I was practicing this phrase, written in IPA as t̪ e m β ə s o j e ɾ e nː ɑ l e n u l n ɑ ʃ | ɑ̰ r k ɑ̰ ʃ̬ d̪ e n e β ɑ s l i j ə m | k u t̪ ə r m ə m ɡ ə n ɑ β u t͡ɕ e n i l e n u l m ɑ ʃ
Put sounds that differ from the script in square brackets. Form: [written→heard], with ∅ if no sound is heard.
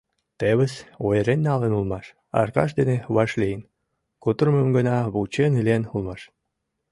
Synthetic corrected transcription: t̪ e [m→∅] β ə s o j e ɾ e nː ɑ l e n u l [n→m] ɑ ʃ | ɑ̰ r k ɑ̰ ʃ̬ d̪ e n e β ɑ [s→ʃ] l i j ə [m→n] | k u t̪ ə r m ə m ɡ ə n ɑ β u t͡ɕ e n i l e n u l m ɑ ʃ